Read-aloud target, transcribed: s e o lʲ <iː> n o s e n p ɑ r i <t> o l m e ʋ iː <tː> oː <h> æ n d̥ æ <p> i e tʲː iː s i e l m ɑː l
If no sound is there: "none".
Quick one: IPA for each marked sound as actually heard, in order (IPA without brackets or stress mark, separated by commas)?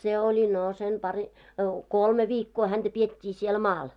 i, k, kː, h, p